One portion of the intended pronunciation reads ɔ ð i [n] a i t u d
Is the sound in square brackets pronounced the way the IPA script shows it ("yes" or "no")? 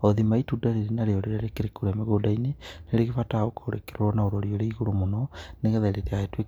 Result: no